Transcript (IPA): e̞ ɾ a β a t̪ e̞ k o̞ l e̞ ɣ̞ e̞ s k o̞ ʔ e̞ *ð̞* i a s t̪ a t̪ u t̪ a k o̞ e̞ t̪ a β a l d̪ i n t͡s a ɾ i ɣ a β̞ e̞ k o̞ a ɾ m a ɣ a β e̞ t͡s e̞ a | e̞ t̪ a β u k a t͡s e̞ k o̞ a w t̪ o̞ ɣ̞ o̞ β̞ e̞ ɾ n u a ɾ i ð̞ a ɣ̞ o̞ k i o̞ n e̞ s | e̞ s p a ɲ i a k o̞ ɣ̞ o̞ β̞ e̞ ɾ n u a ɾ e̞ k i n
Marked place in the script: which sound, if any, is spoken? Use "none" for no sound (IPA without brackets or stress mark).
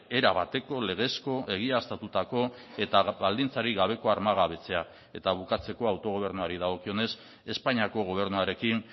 ɣ̞